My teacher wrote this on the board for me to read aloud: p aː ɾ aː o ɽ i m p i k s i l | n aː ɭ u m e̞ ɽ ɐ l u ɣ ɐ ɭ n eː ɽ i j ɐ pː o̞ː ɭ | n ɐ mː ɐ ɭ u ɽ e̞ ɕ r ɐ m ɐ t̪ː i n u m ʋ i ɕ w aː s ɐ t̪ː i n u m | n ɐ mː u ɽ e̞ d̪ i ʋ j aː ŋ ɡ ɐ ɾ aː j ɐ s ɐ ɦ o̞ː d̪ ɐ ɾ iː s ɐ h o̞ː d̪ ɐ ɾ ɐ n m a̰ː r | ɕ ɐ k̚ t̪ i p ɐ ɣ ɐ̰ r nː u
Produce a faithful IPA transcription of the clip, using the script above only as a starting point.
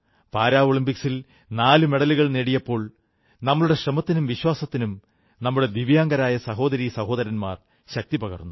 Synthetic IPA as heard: p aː ɾ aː o ɭ i m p i k s i l | n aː l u m e̞ ɽ ɐ l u ɣ ɐ ɭ n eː ɽ i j ɐ pː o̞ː ɭ | n ɐ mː ɐ ɭ u ɽ e̞ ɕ r ɐ m ɐ t̪ː i n u m ʋ i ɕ w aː s ɐ t̪ː i n u m | n ɐ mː u ɽ e̞ d̪ i ʋ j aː ŋ ɡ ɐ ɾ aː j ɐ s ɐ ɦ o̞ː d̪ ɐ ɾ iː s ɐ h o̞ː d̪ ɐ ɾ ɐ n m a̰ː r | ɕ ɐ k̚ t̪ i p ɐ ɣ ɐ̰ r nː u